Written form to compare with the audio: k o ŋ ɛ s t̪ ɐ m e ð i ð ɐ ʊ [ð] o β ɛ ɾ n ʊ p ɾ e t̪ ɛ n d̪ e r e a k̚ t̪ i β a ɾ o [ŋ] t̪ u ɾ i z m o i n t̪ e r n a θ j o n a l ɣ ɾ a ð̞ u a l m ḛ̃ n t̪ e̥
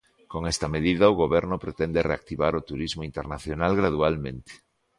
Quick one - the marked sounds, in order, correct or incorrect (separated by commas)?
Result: incorrect, incorrect